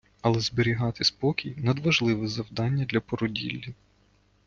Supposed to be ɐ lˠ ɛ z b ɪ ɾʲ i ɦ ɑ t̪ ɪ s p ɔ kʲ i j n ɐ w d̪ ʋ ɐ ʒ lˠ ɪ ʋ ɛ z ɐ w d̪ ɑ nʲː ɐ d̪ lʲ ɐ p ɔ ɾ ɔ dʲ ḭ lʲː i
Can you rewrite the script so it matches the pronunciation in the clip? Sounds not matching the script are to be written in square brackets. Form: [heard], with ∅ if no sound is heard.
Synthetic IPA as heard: ɐ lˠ ɛ z b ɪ ɾʲ i ɦ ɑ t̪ ɪ s p ɔ kʲ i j n ɐ [∅] d̪ ʋ ɐ ʒ lˠ ɪ ʋ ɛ z ɐ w d̪ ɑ nʲː ɐ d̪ lʲ ɐ p ɔ ɾ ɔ dʲ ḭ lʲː i